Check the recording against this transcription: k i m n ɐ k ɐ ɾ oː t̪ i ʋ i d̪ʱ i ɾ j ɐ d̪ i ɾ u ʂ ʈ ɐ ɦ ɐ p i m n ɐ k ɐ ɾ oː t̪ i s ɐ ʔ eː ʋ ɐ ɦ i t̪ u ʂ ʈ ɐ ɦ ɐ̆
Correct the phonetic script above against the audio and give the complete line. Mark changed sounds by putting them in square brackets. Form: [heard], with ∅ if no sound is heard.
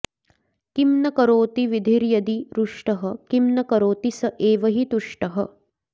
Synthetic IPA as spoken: k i m n ɐ k ɐ ɾ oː t̪ i ʋ i d̪ʱ i ɾ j ɐ d̪ i ɾ u ʂ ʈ ɐ ɦ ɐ [k] i m n ɐ k ɐ ɾ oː t̪ i s ɐ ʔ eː ʋ ɐ ɦ i t̪ u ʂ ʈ ɐ ɦ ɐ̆